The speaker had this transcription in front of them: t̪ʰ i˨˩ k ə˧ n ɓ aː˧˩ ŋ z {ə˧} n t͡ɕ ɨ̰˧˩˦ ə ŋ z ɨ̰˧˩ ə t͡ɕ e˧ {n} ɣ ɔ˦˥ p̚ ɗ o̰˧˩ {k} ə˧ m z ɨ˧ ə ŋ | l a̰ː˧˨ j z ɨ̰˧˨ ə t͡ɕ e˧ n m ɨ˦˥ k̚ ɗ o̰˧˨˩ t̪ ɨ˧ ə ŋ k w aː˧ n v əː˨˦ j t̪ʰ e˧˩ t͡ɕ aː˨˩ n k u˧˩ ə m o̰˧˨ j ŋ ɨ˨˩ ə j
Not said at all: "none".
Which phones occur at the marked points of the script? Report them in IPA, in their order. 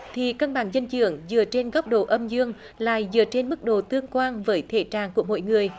ə˧, n, ʔ

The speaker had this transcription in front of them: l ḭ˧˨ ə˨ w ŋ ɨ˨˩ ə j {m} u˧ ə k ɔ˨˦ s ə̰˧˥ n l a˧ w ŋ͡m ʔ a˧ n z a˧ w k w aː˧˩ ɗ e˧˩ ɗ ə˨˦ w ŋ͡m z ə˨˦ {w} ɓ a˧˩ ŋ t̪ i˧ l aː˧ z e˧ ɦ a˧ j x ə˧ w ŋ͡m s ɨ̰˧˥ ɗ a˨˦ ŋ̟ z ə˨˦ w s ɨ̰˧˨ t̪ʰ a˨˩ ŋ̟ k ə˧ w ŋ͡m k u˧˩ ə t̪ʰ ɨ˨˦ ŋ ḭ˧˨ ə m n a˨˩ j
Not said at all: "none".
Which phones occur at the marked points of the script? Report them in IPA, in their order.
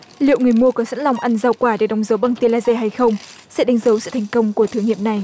m, w

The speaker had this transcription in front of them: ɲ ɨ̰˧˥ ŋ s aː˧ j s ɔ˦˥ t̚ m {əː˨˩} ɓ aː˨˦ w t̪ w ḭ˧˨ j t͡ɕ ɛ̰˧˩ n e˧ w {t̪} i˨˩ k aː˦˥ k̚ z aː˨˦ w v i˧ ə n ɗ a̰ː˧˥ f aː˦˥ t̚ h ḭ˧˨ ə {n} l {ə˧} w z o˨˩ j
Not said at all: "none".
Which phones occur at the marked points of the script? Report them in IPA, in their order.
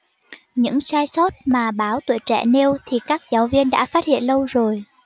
aː˨˩, t̪ʰ, n, ə˧

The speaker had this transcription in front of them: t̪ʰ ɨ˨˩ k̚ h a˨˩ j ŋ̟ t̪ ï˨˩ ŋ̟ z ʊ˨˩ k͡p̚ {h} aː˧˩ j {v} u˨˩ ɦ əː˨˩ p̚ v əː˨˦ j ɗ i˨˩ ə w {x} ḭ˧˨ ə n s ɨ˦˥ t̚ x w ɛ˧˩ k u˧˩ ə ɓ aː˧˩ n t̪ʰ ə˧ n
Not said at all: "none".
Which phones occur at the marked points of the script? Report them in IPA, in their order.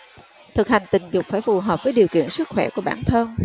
f, f, k

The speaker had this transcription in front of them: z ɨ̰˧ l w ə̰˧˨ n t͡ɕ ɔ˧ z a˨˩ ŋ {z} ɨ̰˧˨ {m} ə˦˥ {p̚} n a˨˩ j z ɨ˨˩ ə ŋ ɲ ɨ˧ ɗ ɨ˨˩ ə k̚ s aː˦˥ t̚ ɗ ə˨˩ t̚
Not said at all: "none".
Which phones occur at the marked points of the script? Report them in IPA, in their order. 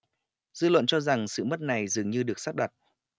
s, m, t̚

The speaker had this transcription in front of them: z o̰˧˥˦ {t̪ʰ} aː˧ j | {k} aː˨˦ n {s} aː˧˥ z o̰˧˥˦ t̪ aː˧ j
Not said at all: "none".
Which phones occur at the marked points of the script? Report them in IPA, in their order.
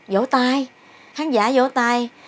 t̪, x, z

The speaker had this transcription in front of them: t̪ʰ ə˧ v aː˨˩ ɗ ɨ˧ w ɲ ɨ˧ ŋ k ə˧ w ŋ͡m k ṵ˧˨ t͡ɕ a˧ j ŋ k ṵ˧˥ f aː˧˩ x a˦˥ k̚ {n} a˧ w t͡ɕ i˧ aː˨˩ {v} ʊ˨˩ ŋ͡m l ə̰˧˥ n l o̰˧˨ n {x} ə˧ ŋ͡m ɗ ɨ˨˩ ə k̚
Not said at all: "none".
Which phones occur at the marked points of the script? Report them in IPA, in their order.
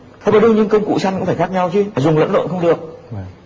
ɲ, z, x

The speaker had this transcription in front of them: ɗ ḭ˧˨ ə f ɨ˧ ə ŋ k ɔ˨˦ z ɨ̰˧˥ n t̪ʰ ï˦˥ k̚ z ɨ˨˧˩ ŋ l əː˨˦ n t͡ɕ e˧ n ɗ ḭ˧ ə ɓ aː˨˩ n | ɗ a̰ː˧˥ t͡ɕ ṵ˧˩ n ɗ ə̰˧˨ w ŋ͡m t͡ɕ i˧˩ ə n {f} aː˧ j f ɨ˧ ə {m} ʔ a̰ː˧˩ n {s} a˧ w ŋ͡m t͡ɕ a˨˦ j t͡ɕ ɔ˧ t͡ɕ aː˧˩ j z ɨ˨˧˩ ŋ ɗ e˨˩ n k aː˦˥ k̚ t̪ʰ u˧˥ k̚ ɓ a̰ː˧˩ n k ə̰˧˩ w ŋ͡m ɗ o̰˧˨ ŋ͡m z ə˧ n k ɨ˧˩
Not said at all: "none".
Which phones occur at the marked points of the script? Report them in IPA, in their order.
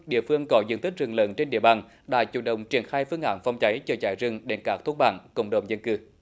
x, ŋ, f

